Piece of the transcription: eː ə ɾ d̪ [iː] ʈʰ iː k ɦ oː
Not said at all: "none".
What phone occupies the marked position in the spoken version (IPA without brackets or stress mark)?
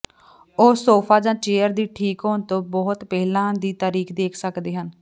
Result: iː